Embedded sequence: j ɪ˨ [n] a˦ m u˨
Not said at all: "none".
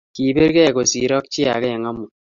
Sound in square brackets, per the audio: ŋ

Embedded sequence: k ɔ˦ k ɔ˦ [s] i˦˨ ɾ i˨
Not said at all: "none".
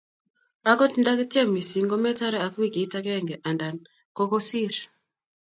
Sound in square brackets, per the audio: s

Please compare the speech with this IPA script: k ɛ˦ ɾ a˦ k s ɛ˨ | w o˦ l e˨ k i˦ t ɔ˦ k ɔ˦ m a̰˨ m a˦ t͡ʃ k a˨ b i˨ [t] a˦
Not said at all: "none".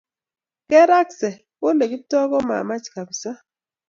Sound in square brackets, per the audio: s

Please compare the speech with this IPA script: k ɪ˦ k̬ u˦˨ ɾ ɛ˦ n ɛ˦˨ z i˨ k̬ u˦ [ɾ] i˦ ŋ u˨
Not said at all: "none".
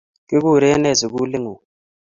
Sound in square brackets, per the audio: l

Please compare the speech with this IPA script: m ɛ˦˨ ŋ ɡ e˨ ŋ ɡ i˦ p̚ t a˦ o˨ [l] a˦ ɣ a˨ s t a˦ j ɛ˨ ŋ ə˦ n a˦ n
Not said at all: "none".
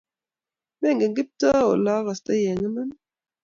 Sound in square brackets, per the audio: l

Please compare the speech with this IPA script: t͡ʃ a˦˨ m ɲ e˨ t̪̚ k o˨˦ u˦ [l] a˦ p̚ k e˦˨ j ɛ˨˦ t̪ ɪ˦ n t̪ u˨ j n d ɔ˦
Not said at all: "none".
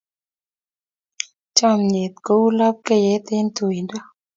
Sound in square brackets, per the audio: l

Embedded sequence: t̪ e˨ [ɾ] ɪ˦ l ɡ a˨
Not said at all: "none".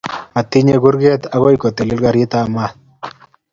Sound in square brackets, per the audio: l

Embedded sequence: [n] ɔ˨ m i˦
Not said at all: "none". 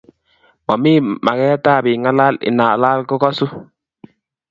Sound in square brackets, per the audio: m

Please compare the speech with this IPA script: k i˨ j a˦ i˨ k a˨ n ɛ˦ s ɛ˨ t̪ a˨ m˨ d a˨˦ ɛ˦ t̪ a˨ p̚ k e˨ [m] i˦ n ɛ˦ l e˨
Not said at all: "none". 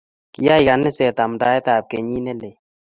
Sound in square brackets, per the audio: ɲ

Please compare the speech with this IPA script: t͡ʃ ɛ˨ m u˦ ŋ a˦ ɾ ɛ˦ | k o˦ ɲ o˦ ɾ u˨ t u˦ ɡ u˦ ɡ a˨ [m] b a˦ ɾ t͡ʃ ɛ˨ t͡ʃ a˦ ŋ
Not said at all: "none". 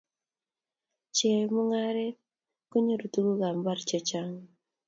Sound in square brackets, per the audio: m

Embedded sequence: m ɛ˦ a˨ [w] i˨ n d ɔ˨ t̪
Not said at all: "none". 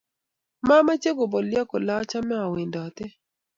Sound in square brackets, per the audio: w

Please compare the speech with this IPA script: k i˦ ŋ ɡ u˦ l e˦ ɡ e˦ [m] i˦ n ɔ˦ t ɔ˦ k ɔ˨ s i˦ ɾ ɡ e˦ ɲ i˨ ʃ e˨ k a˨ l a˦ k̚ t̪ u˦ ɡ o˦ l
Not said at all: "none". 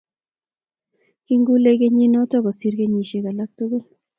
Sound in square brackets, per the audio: ɲ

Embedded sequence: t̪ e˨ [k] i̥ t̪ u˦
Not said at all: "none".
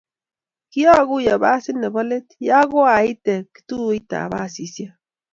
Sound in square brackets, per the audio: k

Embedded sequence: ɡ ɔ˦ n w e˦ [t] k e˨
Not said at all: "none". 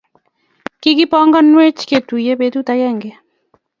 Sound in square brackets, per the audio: t͡ʃ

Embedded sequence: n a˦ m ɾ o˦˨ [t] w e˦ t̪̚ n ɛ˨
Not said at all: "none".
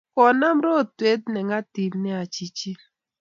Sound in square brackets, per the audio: t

